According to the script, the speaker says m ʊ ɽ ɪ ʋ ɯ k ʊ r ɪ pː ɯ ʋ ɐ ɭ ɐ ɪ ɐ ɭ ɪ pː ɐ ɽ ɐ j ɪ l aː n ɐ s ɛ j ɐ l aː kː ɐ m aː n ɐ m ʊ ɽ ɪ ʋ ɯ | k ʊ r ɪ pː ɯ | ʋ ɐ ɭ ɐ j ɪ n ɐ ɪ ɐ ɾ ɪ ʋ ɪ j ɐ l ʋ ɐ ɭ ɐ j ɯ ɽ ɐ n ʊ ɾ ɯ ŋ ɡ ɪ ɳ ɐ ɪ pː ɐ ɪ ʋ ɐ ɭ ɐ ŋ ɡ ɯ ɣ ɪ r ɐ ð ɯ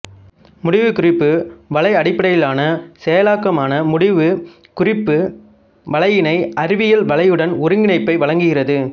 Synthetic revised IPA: m ʊ ɽ ɪ ʋ ɯ k ʊ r ɪ pː ɯ ʋ ɐ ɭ ɐ ɪ ɐ ɽ ɪ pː ɐ ɽ ɐ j ɪ l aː n ɐ s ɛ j ɐ l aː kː ɐ m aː n ɐ m ʊ ɽ ɪ ʋ ɯ | k ʊ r ɪ pː ɯ | ʋ ɐ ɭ ɐ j ɪ n ɐ ɪ ɐ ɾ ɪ ʋ ɪ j ɐ l ʋ ɐ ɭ ɐ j ɯ ɽ ɐ n ʊ ɾ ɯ ŋ ɡ ɪ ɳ ɐ ɪ pː ɐ ɪ ʋ ɐ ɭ ɐ ŋ ɡ ɯ ɣ ɪ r ɐ ð ɯ